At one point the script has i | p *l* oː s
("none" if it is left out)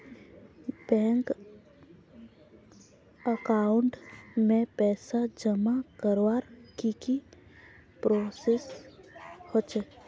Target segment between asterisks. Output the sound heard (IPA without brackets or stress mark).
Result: ɾ